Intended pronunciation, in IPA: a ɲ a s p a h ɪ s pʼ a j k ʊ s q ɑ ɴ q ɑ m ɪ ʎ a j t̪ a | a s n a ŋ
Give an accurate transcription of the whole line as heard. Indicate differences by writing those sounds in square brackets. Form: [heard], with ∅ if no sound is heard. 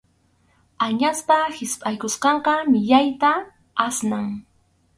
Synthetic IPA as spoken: a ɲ a s p a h ɪ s pʼ a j k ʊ s q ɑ ɴ q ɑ m ɪ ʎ a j t̪ a | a s n a ŋ